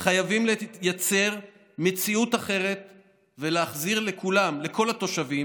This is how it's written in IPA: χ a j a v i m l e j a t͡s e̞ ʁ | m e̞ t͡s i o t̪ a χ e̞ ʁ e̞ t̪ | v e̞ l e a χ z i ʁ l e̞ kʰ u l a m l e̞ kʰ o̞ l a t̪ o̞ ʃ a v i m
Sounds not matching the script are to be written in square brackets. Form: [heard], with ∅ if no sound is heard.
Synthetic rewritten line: χ a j a v i m l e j a t͡s e̞ ʁ | m e̞ t͡s i [u] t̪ a χ e̞ ʁ e̞ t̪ | v e̞ l e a χ z i ʁ l e̞ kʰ u l a m l e̞ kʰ o̞ l a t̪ o̞ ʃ a v i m